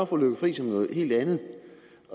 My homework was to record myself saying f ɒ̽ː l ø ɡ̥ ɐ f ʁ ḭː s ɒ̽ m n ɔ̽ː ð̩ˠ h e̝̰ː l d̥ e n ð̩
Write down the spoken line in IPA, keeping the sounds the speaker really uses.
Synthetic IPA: f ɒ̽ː l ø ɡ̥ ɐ f ʁ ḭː s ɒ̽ m n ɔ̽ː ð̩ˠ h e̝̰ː l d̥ æ n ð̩